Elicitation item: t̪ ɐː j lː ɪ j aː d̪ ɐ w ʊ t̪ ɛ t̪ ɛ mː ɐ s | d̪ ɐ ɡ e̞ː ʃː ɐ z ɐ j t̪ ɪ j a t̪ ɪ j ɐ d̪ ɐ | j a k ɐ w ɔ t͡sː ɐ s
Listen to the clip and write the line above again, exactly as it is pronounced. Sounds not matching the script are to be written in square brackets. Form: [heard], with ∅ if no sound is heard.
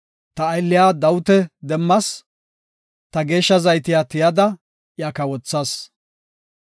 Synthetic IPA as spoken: t̪ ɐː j lː ɪ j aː d̪ ɐ w ʊ t̪ ɛ [d̪] ɛ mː ɐ s | [t̪] ɐ ɡ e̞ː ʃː ɐ z ɐ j t̪ ɪ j a t̪ ɪ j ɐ d̪ ɐ | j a k ɐ w ɔ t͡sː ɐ s